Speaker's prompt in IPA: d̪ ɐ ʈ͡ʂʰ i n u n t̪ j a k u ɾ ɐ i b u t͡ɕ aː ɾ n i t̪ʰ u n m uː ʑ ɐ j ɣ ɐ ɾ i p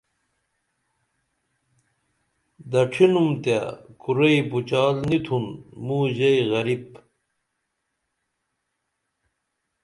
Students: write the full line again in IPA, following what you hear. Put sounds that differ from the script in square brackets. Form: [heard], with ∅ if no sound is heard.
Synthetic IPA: d̪ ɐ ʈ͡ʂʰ i n u [m] t̪ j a k u ɾ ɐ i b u t͡ɕ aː [l] n i t̪ʰ u n m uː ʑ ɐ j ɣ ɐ ɾ i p

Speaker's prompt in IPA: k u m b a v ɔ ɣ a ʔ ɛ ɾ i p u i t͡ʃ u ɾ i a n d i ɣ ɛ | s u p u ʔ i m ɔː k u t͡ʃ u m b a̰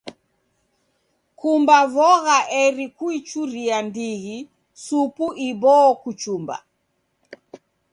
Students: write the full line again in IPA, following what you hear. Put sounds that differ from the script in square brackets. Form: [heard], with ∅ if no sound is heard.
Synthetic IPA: k u m b a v ɔ ɣ a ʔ ɛ ɾ i [k] u i t͡ʃ u ɾ i a n d i ɣ [i] | s u p u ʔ i [b] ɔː k u t͡ʃ u m b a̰

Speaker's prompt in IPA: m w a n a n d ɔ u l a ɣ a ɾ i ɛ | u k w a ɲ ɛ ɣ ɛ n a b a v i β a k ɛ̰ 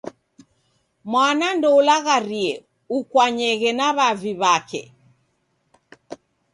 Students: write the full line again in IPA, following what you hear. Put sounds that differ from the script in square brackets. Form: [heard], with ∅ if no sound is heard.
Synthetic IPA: m w a n a n d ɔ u l a ɣ a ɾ i ɛ | u k w a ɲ ɛ ɣ ɛ n a [β] a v i β a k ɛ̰

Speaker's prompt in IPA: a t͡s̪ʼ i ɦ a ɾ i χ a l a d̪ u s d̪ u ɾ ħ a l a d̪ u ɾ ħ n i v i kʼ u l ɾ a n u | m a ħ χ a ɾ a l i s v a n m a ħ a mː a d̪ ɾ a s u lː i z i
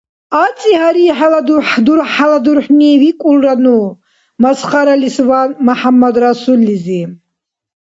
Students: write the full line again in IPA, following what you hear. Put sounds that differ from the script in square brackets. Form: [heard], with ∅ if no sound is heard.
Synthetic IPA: a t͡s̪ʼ i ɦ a ɾ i [ħ] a l a d̪ u [ħ] d̪ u ɾ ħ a l a d̪ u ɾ ħ n i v i kʼ u l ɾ a n u | m a [s] χ a ɾ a l i s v a n m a ħ a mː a d̪ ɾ a s u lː i z i

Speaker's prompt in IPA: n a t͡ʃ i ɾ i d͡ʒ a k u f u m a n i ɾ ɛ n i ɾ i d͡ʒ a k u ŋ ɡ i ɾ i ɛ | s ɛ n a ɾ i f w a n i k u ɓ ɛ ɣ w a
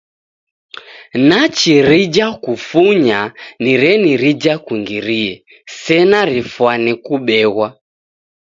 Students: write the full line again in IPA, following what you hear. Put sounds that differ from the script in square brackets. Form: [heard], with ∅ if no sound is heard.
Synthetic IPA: n a t͡ʃ i ɾ i d͡ʒ a k u f u [ɲ] a n i ɾ ɛ n i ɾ i d͡ʒ a k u ŋ ɡ i ɾ i ɛ | s ɛ n a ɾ i f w a n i k u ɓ ɛ ɣ w a

